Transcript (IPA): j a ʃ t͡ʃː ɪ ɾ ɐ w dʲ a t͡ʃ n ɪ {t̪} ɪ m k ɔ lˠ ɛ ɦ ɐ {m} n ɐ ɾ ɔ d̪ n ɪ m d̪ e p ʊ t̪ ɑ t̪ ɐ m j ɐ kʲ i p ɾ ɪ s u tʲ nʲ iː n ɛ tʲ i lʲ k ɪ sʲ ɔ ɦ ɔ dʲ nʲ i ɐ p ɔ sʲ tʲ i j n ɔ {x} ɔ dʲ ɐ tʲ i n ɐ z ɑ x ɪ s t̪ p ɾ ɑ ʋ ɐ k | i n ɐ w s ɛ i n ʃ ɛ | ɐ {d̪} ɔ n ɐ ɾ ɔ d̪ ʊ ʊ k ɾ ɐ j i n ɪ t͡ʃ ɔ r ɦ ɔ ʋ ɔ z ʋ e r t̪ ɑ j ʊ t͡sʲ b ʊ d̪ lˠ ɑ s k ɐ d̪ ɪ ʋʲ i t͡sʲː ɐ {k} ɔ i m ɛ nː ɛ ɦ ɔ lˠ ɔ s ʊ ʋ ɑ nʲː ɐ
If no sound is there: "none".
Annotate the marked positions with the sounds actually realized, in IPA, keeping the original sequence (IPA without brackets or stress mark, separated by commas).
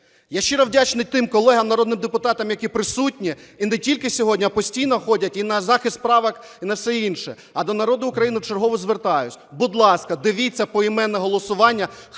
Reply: t̪, m, x, d̪, p